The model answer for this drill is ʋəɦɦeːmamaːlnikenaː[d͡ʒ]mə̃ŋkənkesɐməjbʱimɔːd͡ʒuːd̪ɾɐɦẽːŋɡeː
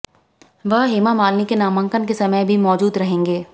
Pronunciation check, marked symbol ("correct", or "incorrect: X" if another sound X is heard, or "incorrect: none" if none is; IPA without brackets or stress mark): incorrect: none